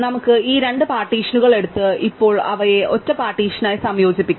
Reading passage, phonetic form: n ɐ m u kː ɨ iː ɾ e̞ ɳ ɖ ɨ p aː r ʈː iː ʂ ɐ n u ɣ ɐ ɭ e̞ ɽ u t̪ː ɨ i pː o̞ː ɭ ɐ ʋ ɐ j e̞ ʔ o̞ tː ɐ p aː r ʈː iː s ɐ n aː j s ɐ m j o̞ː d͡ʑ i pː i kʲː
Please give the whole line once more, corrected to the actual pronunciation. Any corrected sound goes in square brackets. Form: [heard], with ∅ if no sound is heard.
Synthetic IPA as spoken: n ɐ m u kː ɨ iː ɾ e̞ ɳ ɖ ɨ p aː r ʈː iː ʂ ɐ n u ɣ ɐ ɭ e̞ ɽ u t̪ː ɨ i pː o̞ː ɭ ɐ ʋ ɐ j e̞ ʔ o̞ tː ɐ p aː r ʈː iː [ʂ] ɐ n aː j s ɐ m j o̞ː d͡ʑ i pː i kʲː